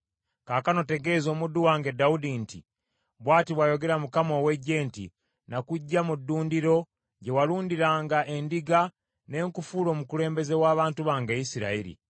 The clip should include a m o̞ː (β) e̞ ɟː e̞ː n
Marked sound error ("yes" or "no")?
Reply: yes